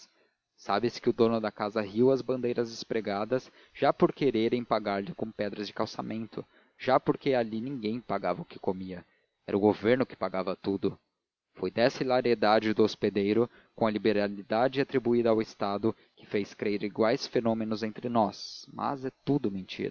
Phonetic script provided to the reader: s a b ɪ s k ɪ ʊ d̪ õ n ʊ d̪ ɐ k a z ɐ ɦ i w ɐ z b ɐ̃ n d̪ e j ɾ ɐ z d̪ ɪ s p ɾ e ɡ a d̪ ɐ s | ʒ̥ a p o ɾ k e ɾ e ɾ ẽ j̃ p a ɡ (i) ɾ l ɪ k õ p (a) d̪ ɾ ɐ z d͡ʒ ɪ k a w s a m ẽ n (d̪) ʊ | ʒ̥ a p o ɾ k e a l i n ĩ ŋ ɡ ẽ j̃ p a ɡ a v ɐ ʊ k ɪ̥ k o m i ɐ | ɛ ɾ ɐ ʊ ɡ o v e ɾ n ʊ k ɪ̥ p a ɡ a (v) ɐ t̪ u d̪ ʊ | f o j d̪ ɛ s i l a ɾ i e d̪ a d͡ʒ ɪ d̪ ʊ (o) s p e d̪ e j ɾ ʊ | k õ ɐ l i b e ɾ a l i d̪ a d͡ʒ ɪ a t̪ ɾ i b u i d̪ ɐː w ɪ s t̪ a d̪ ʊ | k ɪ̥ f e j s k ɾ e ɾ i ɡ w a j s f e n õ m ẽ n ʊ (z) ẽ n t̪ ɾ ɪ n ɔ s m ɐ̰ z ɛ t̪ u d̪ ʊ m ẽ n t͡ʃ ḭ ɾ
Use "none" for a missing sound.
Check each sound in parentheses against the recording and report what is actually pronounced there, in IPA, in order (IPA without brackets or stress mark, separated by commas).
a, ɛ, t̪, v, o, z